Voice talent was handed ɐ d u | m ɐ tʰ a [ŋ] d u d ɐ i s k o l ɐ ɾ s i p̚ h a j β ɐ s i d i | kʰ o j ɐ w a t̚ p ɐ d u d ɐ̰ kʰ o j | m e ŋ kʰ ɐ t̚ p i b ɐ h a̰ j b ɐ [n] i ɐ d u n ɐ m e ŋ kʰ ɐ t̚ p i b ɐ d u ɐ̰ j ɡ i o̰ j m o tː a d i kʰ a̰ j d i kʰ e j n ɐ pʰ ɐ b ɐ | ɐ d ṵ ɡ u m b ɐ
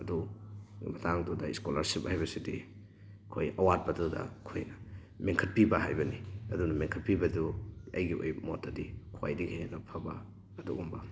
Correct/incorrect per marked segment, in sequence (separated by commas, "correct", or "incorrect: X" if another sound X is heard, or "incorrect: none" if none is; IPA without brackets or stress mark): correct, correct